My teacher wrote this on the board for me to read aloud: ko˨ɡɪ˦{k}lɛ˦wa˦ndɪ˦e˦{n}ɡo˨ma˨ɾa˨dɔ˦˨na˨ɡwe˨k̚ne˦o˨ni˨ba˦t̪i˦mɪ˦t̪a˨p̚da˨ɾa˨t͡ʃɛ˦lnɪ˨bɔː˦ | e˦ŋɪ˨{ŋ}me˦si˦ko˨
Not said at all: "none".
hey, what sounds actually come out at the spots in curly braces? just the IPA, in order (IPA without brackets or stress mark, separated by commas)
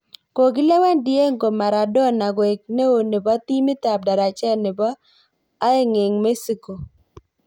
none, ŋ, ŋ